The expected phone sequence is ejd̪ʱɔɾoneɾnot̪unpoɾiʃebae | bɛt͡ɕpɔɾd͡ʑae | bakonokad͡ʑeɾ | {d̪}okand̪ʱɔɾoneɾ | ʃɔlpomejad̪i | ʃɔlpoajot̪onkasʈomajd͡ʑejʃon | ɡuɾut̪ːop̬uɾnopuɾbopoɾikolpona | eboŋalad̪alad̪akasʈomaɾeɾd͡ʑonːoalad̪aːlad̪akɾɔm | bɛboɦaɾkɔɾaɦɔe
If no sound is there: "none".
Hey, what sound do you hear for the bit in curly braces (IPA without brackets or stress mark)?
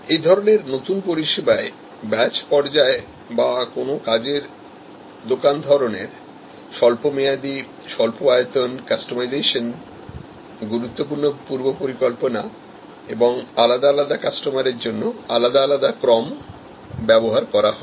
d̪